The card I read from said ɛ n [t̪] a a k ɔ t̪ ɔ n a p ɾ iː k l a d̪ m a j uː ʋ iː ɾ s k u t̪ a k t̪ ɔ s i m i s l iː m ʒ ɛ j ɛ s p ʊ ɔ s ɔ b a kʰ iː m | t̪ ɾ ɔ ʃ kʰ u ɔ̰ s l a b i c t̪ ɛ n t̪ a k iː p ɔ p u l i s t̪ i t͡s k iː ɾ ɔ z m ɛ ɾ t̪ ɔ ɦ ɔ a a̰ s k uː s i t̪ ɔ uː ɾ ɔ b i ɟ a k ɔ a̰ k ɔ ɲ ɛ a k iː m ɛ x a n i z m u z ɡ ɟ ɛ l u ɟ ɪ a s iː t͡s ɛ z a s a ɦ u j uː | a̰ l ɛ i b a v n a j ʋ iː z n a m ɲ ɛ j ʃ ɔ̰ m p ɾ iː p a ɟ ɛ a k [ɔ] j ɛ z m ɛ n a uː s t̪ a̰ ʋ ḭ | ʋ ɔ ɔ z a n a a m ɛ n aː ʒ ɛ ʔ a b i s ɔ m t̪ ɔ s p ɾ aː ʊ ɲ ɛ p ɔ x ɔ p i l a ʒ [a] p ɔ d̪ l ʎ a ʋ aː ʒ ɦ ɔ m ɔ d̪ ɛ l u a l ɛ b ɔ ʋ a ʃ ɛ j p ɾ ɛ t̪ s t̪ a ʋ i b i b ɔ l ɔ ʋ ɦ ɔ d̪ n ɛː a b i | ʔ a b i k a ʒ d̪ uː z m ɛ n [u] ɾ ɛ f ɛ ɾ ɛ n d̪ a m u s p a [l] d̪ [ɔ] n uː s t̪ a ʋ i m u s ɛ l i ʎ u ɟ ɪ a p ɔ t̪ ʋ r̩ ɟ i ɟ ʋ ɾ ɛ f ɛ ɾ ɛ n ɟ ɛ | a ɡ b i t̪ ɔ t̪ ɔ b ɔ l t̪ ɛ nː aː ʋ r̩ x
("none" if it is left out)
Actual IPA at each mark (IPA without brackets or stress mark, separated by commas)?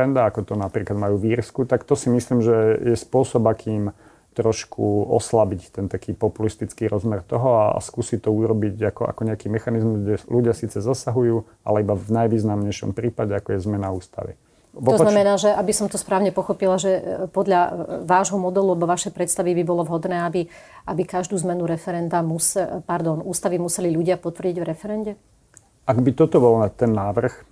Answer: d̪, ɔ, ɛ, u, ɾ, ɔ